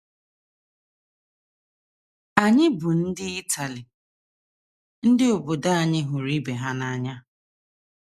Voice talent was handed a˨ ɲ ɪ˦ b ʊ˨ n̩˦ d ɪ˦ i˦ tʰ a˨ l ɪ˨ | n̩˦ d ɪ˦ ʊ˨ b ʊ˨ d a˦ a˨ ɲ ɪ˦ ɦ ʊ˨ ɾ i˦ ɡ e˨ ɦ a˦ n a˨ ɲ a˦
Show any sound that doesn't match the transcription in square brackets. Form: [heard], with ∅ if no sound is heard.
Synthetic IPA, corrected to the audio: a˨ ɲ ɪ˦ b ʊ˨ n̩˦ d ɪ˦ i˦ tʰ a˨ l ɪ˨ | n̩˦ d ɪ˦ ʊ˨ b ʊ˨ d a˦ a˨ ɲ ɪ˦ ɦ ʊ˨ ɾ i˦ [b] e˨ ɦ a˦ n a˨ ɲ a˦